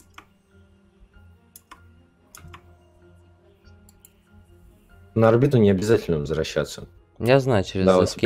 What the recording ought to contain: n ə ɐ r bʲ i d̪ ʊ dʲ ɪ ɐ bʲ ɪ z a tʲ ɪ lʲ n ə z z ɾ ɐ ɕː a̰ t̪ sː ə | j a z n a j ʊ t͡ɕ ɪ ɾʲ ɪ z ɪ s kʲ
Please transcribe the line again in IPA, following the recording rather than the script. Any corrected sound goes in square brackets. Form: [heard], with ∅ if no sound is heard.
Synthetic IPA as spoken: n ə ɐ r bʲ i [t̪] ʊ [nʲ] ɪ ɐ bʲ ɪ z a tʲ ɪ lʲ n ə [v] z ɾ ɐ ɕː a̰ t̪ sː ə | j a z n a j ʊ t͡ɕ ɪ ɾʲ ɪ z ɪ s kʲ